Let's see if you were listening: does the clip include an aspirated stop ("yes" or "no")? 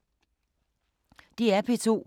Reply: yes